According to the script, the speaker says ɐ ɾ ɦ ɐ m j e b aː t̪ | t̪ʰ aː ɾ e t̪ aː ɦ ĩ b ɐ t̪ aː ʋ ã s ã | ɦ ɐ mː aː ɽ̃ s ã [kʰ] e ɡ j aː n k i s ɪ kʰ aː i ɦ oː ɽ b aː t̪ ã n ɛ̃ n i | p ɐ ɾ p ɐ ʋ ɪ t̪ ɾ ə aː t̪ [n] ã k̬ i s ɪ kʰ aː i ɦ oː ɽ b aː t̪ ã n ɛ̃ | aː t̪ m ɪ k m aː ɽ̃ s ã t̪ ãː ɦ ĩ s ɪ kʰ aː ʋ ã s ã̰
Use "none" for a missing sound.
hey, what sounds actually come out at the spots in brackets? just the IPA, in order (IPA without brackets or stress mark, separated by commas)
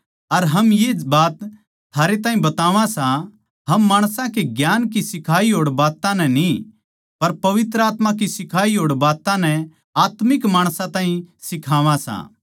k, m